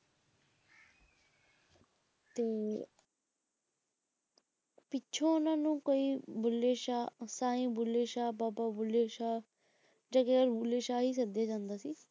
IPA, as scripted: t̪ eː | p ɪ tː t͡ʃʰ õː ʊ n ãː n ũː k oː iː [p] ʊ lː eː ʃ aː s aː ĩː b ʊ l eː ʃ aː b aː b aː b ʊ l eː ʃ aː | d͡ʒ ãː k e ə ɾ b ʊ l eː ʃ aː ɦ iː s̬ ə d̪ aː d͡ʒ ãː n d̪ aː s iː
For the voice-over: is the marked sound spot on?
no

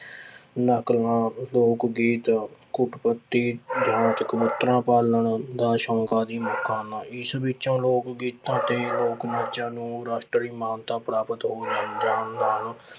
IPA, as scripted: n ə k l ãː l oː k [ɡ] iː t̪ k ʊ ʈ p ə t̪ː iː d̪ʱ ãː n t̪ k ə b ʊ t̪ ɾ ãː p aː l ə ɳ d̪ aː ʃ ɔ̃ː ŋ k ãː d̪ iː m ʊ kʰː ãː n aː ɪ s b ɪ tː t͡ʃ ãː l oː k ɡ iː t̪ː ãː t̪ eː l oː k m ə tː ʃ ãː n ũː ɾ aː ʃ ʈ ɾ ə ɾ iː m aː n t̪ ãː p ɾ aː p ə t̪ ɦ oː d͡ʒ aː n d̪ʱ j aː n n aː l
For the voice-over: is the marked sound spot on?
yes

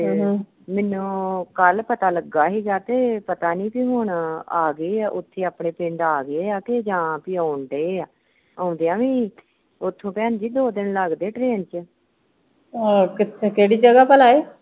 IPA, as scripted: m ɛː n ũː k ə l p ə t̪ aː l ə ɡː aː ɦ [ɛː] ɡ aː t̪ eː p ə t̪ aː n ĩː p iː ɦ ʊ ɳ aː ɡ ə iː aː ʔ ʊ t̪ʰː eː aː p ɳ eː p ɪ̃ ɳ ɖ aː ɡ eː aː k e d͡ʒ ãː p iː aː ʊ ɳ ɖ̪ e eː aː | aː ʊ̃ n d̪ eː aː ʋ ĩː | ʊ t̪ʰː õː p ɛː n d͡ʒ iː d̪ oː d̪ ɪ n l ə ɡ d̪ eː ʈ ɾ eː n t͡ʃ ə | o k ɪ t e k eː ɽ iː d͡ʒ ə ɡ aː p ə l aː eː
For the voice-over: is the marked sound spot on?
no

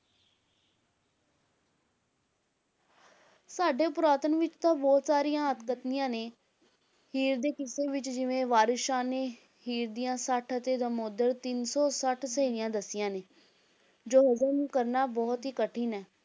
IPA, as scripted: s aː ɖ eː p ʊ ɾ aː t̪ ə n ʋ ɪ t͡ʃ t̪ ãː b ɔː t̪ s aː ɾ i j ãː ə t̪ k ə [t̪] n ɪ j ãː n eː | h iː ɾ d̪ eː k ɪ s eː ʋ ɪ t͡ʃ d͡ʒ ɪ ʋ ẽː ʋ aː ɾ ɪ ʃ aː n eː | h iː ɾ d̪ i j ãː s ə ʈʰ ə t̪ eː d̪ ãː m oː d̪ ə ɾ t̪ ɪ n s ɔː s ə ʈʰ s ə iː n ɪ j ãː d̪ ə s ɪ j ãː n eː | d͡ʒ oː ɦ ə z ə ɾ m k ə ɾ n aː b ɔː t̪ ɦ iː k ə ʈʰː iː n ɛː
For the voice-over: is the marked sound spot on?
yes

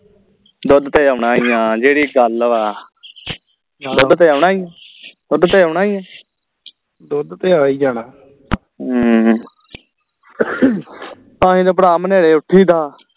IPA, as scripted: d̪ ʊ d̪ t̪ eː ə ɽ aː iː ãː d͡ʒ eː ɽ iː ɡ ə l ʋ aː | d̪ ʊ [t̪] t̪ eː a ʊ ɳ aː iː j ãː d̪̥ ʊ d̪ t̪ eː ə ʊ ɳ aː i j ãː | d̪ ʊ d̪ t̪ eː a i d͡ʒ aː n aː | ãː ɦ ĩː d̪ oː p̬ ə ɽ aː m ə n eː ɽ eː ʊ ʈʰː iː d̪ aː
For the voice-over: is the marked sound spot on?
no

